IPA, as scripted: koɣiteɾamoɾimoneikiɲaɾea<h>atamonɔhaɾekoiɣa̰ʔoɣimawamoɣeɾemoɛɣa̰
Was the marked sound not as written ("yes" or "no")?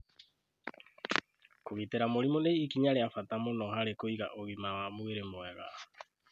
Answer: yes